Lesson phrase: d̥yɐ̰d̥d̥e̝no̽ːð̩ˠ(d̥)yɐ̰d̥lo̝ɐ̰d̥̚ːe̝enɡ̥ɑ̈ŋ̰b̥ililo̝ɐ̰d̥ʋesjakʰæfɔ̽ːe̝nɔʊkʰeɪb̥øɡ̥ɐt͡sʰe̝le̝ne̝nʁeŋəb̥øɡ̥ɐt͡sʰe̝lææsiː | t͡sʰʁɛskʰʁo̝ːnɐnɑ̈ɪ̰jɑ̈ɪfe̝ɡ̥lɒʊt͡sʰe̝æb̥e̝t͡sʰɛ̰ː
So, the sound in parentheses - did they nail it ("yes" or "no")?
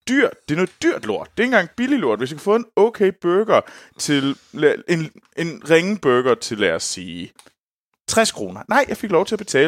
yes